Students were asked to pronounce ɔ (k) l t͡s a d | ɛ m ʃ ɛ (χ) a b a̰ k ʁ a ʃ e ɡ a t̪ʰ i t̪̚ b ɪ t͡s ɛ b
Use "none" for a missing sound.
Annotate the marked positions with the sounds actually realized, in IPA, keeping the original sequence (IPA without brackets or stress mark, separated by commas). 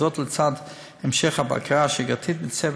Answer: t, χ